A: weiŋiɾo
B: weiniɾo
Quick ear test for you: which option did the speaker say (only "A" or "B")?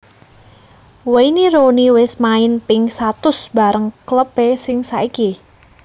B